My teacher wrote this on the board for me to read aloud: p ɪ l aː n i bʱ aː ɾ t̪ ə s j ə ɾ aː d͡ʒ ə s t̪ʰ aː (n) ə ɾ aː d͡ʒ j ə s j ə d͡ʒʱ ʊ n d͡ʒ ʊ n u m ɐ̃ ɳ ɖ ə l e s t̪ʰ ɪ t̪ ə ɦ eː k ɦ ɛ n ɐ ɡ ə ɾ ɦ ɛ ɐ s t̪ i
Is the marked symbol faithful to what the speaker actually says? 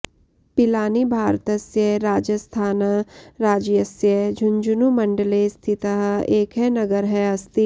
yes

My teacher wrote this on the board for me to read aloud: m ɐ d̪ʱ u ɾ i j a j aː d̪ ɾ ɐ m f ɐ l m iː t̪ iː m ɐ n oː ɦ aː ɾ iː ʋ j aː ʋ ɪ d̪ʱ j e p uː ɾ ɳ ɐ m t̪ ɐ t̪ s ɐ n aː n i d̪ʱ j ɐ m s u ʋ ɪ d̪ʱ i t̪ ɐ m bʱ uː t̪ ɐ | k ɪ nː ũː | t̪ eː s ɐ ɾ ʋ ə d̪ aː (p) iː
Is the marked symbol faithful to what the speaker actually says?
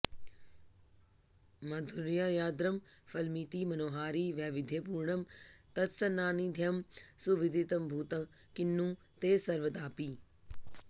yes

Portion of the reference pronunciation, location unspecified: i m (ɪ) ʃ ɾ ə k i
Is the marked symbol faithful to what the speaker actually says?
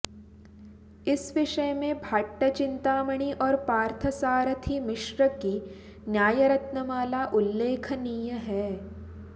yes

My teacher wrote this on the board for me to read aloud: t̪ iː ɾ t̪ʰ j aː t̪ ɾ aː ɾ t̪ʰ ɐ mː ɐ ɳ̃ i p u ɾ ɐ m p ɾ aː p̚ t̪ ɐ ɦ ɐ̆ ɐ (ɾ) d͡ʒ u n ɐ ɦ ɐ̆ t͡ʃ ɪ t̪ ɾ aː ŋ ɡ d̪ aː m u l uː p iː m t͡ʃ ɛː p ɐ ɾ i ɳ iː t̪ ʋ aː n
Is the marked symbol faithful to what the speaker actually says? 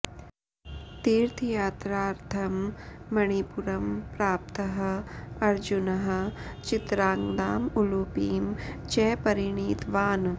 yes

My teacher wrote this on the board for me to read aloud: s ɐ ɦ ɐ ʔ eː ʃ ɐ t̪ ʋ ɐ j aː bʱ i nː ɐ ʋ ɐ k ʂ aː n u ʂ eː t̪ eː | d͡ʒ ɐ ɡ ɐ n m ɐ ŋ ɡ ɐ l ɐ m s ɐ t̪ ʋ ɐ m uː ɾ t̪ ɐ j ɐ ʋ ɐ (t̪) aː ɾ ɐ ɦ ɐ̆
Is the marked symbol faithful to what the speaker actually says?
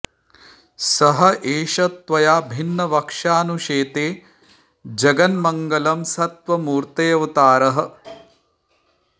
yes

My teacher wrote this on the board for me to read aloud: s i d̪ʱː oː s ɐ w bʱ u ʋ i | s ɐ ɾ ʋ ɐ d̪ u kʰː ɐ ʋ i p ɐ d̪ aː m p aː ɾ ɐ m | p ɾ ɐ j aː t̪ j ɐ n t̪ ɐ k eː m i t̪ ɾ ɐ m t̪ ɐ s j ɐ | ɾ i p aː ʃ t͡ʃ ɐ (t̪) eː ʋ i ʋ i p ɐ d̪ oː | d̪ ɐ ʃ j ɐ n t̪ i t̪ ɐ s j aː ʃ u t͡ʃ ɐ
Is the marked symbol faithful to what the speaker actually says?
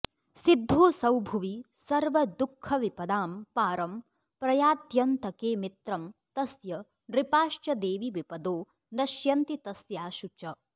no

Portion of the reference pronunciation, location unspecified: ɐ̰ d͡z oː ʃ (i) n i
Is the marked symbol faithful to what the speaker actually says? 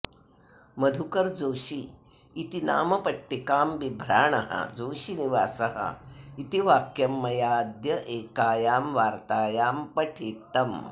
yes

